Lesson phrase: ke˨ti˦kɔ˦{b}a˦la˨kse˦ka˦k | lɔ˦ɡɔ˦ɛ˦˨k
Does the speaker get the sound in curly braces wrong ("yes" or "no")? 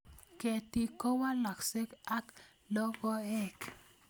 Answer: yes